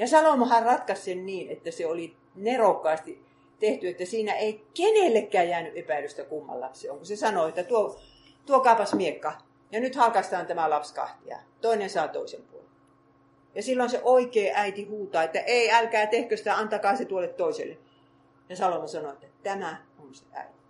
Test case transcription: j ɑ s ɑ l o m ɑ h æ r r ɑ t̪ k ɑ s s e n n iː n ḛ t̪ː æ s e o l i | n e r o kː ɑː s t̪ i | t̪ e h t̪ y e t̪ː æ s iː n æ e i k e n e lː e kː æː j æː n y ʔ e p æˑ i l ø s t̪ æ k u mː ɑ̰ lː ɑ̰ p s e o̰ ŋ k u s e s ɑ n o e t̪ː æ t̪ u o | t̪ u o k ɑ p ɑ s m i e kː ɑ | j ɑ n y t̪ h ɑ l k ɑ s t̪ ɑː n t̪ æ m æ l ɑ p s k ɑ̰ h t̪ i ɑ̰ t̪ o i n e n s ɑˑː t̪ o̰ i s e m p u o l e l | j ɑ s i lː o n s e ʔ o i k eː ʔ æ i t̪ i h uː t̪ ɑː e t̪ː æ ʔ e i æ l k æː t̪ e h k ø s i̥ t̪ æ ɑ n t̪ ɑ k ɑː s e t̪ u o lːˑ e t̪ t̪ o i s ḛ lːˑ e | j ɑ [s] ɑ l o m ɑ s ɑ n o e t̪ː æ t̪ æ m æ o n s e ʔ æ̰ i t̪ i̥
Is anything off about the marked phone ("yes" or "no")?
no